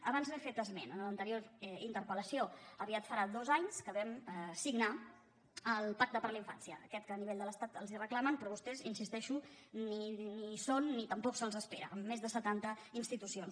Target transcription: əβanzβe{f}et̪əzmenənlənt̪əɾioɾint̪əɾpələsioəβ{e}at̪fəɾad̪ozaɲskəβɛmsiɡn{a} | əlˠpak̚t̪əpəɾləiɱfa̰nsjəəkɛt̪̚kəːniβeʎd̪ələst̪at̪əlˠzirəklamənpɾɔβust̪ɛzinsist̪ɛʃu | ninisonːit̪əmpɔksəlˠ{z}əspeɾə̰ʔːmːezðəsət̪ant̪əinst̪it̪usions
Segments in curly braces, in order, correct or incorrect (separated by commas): correct, incorrect, correct, correct